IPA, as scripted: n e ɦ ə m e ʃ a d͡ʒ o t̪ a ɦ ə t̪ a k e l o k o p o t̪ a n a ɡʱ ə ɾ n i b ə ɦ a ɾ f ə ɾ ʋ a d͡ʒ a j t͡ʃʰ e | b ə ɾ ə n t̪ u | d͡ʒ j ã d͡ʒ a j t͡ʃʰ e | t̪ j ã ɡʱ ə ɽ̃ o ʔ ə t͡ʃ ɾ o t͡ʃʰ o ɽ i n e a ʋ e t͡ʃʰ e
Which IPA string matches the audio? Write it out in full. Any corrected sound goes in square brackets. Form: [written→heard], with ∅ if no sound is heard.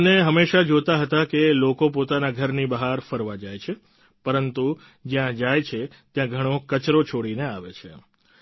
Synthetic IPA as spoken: n e ɦ ə m e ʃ a d͡ʒ o t̪ a ɦ ə t̪ a k e l o k o p o t̪ a n a ɡʱ ə ɾ n i b ə ɦ a ɾ f ə ɾ ʋ a d͡ʒ a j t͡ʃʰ e | [b→p] ə ɾ ə n t̪ u | d͡ʒ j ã d͡ʒ a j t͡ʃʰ e | t̪ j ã ɡʱ ə ɽ̃ o [ʔ→k] ə t͡ʃ ɾ o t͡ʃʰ o ɽ i n e a ʋ e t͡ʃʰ e